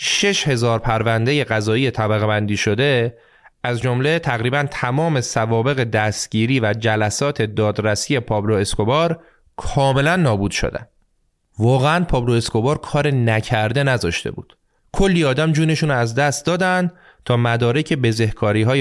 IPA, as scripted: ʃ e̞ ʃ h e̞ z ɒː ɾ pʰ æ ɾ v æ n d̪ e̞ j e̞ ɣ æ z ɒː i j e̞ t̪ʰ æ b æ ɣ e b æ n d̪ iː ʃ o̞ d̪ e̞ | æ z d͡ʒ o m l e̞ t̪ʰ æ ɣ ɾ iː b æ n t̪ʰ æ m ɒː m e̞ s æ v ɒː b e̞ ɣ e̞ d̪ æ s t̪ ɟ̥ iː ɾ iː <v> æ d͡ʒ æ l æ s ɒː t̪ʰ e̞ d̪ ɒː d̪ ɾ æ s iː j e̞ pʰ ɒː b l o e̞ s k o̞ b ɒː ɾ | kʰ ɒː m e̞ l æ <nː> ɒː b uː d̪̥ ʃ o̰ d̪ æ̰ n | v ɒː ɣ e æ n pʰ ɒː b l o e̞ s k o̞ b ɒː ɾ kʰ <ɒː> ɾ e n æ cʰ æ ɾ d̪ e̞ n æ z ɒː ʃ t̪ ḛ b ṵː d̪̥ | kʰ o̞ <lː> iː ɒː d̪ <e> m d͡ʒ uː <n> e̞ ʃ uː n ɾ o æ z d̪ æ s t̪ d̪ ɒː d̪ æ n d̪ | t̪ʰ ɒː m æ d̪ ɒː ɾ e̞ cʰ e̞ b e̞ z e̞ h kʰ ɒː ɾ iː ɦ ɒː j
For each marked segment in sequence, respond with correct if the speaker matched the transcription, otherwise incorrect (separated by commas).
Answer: correct, correct, correct, correct, incorrect, correct